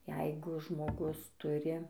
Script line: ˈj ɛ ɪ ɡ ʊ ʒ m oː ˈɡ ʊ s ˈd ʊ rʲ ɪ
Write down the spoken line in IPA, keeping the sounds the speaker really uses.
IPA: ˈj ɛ ɪ ɡ ʊ ʒ m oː ˈɡ ʊ s ˈt ʊ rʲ ɪ